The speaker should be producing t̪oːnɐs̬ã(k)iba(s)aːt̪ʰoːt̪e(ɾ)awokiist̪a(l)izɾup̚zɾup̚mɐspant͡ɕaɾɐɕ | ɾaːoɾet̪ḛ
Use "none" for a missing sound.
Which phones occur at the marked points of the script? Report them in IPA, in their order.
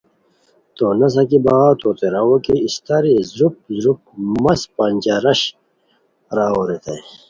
k, none, ɾ, ɾ

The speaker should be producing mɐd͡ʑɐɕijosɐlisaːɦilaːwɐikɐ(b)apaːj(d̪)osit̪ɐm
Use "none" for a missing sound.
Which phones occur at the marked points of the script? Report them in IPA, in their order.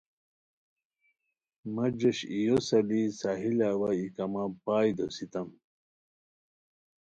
m, d̪

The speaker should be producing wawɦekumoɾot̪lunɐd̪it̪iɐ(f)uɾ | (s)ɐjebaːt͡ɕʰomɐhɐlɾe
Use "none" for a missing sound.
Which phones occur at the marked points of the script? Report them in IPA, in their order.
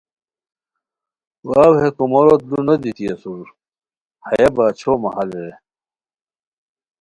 s, h

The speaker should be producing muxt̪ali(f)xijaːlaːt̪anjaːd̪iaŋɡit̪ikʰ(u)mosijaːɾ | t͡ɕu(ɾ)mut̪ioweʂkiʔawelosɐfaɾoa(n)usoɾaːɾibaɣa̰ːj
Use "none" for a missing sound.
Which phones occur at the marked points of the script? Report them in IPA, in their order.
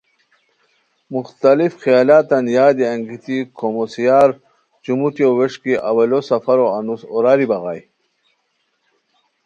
f, o, none, n

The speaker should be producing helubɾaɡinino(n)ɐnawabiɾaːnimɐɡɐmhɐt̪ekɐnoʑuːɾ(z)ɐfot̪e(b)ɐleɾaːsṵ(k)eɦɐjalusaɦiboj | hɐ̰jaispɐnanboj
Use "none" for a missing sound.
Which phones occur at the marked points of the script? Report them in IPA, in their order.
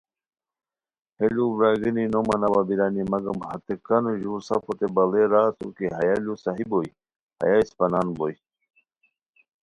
m, s, b, k

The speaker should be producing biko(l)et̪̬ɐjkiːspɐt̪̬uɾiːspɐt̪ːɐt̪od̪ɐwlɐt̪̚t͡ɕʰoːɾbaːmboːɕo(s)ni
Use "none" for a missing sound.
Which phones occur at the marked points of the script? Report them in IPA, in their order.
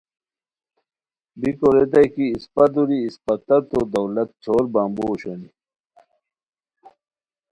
ɾ, none

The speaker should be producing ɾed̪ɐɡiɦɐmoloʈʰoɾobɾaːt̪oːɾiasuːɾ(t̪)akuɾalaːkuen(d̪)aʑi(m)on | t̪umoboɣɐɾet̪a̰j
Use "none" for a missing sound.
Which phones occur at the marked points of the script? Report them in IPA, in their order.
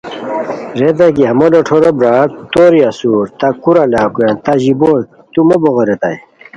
t̪, t̪, b

